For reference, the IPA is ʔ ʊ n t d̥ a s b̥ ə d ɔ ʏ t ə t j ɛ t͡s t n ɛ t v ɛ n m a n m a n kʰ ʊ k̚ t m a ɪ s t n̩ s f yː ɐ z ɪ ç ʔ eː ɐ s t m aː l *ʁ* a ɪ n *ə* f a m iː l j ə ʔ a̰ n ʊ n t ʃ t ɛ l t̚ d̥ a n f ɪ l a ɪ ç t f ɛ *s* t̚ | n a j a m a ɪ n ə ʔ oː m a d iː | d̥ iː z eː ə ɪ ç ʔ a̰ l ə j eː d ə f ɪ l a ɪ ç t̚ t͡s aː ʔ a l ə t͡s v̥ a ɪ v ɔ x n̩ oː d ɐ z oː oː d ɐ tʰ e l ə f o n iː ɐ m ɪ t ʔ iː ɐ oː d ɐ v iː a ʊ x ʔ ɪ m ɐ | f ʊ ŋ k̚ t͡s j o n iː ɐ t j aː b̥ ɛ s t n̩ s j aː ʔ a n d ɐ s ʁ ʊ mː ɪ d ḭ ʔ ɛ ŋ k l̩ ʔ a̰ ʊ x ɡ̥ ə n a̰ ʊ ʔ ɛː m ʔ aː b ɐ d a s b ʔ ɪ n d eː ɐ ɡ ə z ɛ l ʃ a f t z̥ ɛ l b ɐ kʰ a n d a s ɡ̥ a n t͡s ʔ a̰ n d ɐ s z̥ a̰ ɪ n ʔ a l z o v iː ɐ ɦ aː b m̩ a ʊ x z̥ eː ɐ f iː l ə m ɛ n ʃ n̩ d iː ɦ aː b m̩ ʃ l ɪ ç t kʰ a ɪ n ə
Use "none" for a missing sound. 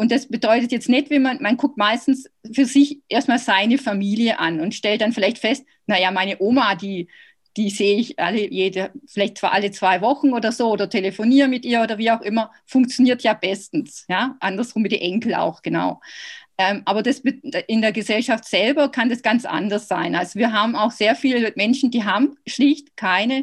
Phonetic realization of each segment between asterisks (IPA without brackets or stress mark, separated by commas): z, ə, s